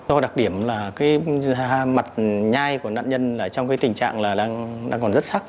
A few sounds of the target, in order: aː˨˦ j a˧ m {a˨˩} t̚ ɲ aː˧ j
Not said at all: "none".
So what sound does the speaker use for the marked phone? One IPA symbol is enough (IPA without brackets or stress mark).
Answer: a˨˩